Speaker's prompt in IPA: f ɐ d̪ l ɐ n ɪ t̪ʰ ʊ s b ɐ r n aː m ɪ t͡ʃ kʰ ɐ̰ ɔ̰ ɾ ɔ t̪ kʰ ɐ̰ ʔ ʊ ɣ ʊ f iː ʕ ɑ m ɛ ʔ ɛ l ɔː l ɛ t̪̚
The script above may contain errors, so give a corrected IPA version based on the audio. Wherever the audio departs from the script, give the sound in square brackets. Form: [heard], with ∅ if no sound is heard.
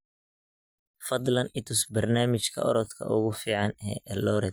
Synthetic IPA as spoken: f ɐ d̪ l ɐ n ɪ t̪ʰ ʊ s b ɐ r n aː m ɪ t͡ʃ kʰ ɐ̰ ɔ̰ ɾ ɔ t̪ kʰ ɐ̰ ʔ ʊ ɣ ʊ f iː ʕ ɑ [n] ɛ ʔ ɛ l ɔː [ɾ] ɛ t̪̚